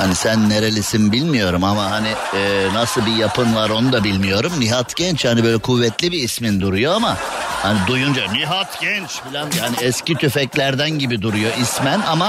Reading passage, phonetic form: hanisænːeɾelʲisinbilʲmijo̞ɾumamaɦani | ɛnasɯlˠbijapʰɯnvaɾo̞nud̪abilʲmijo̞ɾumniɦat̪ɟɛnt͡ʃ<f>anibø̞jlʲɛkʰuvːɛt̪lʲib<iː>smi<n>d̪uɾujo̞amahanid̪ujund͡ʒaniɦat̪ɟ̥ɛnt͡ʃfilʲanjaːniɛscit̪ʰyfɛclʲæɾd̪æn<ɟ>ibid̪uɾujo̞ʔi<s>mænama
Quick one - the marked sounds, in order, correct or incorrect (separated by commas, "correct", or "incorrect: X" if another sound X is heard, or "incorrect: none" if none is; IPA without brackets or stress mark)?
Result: incorrect: h, correct, correct, correct, correct